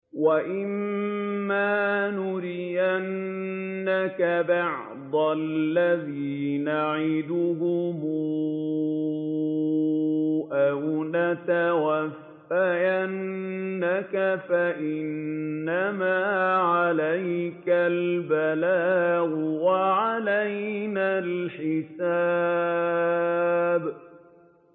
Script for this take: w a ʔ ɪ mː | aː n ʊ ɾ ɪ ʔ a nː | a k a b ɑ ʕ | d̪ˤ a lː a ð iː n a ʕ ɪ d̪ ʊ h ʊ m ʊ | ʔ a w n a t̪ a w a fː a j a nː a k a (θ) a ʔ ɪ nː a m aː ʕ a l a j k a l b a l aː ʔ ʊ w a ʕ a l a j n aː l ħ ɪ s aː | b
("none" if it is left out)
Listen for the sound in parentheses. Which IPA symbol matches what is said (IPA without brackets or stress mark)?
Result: f